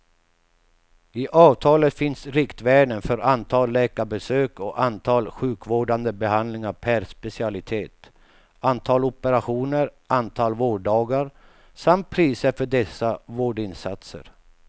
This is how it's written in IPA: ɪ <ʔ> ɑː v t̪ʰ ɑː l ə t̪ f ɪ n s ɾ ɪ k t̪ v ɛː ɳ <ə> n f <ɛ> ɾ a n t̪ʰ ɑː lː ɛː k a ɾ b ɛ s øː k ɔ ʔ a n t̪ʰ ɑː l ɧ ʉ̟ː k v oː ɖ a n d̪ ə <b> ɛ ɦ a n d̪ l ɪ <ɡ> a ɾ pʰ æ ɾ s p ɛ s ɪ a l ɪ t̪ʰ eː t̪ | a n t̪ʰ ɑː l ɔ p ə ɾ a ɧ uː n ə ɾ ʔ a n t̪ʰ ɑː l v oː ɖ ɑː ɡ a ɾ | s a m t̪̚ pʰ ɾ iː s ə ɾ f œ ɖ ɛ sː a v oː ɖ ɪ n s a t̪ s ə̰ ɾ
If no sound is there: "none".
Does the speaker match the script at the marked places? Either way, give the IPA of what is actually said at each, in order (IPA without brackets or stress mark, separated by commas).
ʔ, ə, œ, b, ŋ